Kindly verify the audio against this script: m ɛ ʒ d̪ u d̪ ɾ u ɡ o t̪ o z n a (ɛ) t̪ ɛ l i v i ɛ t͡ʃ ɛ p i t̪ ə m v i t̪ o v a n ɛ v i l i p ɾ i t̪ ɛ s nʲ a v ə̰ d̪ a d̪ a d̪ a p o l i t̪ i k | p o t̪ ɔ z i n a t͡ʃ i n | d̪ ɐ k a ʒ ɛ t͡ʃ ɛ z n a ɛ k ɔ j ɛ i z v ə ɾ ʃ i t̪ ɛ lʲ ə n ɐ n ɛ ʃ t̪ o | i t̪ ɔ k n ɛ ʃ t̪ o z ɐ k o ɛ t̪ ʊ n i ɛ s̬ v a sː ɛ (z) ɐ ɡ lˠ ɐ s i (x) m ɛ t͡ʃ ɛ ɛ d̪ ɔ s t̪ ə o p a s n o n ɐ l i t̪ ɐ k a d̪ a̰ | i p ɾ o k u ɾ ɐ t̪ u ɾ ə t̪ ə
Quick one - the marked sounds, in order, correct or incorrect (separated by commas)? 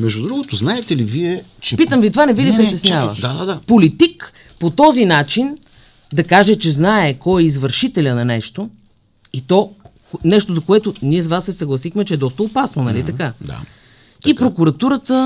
correct, incorrect, correct